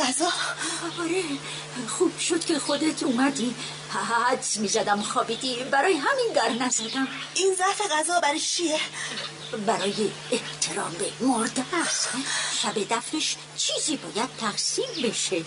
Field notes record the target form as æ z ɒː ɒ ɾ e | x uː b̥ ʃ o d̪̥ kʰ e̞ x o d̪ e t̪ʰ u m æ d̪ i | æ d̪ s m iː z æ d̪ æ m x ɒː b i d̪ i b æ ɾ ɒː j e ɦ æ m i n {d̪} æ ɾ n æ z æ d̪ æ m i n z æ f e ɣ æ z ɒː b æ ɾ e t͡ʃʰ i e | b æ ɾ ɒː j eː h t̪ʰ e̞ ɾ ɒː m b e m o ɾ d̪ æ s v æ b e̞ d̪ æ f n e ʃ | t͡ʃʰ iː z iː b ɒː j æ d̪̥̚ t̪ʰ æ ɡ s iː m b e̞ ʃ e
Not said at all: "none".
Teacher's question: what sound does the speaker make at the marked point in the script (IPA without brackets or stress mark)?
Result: d̪